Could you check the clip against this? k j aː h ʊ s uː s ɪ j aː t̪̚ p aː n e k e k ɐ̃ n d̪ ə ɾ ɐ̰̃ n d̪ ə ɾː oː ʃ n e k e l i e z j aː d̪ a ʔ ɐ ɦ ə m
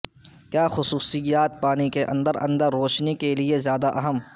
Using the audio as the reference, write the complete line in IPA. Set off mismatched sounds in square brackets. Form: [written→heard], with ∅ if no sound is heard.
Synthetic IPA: k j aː [h→x] ʊ s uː s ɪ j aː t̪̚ p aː n [e→i] k e [k→ʔ] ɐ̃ n d̪ ə ɾ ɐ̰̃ n d̪ ə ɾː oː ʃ n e k e l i e z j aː d̪ a ʔ ɐ ɦ ə m